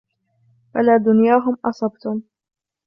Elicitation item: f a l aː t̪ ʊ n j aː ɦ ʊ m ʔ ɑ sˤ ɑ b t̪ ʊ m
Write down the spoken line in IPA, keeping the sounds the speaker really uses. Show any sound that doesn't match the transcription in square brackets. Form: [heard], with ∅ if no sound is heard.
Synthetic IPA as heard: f a l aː [d̪] ʊ n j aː ɦ ʊ m ʔ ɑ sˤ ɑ b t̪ ʊ m